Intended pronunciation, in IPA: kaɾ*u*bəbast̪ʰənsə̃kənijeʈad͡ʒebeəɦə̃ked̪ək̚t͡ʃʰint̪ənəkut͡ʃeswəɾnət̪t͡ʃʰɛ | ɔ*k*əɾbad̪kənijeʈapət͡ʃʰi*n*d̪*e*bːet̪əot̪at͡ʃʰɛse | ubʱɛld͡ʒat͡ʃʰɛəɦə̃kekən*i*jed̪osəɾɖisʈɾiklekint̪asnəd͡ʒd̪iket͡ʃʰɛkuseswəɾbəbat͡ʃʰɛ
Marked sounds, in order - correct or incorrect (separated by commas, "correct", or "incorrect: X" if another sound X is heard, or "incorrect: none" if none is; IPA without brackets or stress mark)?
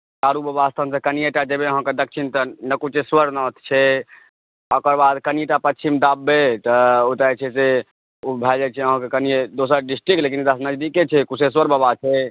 correct, correct, incorrect: m, incorrect: a, correct